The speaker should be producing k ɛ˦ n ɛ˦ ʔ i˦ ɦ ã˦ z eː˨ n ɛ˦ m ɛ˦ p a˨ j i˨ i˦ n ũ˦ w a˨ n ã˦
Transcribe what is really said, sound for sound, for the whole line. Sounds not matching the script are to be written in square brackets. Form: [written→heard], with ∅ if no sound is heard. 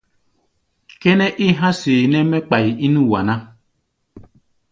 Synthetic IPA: k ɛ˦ n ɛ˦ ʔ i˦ ɦ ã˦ [z→s] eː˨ n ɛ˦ m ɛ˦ [p→k͡p] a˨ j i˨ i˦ n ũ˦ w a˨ n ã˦